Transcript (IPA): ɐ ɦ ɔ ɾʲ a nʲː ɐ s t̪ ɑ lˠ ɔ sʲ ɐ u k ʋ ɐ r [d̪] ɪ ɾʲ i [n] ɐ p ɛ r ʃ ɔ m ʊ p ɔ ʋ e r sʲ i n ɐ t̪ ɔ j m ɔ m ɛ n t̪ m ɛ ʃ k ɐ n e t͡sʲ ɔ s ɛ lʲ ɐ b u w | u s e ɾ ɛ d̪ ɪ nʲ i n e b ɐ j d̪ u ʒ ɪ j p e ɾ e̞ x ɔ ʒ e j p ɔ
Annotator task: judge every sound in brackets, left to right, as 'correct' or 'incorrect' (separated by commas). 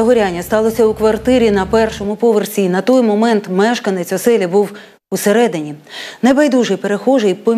incorrect, correct